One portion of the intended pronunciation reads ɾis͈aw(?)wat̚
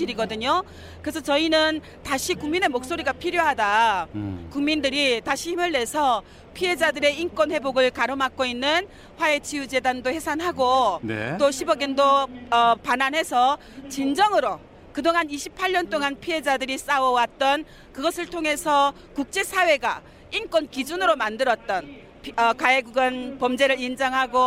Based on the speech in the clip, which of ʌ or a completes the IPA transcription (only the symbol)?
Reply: ʌ